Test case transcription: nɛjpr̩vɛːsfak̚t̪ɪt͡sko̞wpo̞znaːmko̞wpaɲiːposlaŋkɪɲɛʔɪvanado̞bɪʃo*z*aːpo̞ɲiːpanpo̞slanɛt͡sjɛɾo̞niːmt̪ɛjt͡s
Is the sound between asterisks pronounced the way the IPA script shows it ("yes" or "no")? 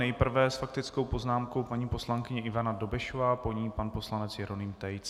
no